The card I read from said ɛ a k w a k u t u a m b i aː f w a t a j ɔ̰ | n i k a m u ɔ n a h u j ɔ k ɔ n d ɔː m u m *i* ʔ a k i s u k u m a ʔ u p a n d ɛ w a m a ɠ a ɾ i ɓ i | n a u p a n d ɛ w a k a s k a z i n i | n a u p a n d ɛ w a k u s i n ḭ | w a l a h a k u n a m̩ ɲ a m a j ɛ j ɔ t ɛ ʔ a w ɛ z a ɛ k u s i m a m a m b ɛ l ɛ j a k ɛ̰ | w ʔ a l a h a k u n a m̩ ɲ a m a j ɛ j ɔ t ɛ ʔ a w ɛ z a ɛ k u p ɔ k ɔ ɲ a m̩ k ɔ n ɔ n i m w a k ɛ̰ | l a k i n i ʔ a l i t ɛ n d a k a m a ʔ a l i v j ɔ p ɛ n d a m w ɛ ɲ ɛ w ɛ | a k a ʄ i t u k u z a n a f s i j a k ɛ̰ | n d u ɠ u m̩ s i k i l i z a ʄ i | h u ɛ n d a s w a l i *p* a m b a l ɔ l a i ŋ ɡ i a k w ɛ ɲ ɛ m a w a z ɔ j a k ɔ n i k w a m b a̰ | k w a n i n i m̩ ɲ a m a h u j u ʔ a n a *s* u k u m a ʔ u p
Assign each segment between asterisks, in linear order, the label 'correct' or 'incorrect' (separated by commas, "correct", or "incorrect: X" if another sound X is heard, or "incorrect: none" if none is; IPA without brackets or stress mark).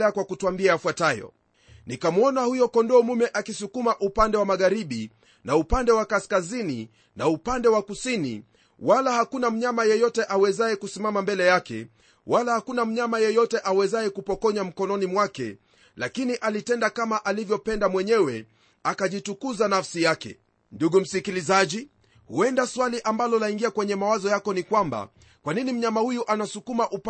incorrect: ɛ, incorrect: ʔ, correct